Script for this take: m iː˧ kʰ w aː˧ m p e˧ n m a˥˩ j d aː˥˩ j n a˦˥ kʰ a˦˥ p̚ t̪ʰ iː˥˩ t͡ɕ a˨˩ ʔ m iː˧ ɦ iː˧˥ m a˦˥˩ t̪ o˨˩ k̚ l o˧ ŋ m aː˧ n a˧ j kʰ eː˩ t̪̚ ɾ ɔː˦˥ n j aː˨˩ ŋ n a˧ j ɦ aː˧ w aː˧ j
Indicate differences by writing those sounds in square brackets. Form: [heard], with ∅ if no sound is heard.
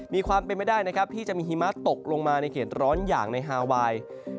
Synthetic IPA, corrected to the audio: m iː˧ kʰ w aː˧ m p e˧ n m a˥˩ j d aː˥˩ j n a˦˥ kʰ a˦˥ p̚ t̪ʰ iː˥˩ t͡ɕ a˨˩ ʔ m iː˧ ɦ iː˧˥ m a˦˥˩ t̪ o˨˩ k̚ l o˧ ŋ m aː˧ n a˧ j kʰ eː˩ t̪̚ ɾ ɔː˦˥ n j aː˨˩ ŋ n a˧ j ɦ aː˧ w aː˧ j